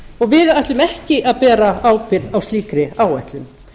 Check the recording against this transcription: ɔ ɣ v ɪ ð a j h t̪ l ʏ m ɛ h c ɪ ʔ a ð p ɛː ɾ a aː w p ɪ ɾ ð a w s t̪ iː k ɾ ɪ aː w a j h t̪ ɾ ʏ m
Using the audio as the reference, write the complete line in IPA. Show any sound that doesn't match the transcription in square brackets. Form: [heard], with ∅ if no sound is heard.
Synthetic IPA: ɔ ɣ v ɪ ð a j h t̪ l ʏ m ɛ h c ɪ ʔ a ð p ɛː ɾ a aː w p ɪ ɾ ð a w s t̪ iː k ɾ ɪ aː w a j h t̪ [l] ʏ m